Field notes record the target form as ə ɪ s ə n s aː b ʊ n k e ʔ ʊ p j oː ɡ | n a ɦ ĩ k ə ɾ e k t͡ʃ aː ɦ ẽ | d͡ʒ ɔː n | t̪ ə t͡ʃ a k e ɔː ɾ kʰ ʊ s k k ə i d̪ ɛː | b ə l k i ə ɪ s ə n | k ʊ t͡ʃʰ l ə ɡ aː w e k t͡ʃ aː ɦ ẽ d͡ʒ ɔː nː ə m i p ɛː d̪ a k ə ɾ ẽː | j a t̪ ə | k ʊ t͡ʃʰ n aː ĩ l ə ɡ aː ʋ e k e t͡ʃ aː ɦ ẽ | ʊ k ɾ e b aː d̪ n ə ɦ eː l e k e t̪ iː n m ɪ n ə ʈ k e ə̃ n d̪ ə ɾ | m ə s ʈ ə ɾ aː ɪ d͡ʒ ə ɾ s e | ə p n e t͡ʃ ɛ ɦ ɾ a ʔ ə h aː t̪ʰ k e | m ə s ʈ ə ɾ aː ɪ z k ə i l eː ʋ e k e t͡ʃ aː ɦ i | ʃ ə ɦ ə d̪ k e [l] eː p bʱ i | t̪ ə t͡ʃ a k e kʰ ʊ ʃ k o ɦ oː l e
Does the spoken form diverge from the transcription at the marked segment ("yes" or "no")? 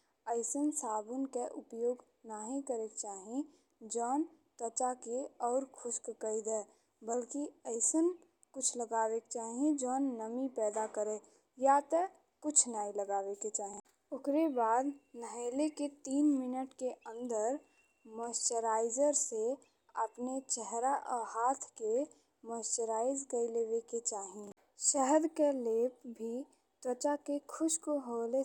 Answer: no